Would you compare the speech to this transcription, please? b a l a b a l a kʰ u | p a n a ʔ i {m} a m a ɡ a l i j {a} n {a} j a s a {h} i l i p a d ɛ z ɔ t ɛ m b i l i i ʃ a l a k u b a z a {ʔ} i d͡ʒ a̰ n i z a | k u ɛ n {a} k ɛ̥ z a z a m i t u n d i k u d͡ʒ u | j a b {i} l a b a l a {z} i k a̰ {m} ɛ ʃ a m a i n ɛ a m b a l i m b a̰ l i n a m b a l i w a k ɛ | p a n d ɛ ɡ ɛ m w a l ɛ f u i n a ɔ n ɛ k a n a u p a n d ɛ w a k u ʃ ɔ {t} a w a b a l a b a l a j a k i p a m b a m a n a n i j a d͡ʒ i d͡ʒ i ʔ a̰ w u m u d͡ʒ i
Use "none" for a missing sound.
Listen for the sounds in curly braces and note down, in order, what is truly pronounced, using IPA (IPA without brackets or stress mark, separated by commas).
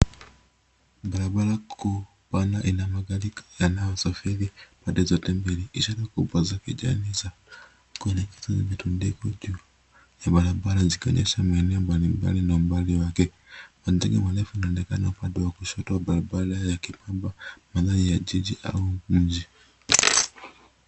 n, a, a, f, k, ɛ, a, z, ɲ, t